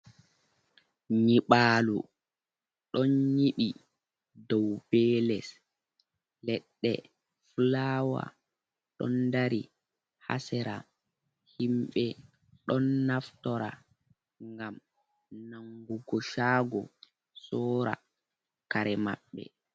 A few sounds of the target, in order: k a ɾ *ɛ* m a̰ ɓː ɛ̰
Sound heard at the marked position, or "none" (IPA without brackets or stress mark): ɛ